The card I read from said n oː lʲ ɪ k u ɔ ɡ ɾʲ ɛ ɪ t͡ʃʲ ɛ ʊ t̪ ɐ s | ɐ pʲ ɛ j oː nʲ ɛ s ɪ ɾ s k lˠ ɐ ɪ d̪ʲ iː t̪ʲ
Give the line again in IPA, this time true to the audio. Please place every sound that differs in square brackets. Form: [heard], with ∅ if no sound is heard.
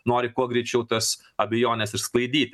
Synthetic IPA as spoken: n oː [ɾʲ] ɪ k u ɔ ɡ ɾʲ ɛ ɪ t͡ʃʲ ɛ ʊ t̪ ɐ s | ɐ [bʲ] ɛ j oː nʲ ɛ s ɪ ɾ s k lˠ ɐ ɪ d̪ʲ iː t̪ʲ